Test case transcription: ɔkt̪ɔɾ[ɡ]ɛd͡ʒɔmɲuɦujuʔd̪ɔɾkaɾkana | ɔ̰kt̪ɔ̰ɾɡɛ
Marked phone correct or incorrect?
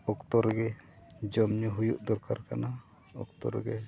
correct